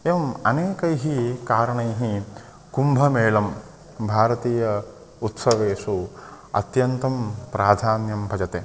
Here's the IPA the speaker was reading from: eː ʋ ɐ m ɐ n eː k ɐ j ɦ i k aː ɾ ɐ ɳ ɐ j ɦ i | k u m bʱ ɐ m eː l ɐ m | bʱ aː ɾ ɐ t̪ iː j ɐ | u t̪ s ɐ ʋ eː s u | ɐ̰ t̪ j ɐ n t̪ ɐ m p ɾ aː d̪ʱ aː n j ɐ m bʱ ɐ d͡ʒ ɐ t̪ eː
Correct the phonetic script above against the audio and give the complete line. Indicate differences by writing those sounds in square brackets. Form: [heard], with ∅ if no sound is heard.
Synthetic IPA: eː ʋ ɐ m ɐ n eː k ɐ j ɦ i k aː ɾ ɐ ɳ ɐ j ɦ i | k u m bʱ ɐ m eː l ɐ m | bʱ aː ɾ ɐ t̪ iː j ɐ | u t̪ s ɐ ʋ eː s u | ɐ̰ t̪ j ɐ n t̪ ɐ m p ɾ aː d̪ʱ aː n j ɐ m bʱ ɐ d͡ʒ ɐ t̪ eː